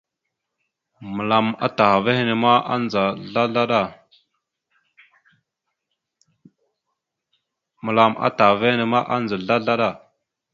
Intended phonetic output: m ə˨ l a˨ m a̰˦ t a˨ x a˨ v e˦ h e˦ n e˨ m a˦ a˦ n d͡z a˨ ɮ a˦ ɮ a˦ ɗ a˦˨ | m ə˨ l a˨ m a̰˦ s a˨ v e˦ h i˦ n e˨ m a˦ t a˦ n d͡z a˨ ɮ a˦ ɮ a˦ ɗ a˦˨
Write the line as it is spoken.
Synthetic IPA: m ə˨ l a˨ m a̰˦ t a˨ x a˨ v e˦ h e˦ n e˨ m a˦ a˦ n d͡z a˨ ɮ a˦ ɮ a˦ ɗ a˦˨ | m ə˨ l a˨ m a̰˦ t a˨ v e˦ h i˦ n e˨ m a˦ ʔ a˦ n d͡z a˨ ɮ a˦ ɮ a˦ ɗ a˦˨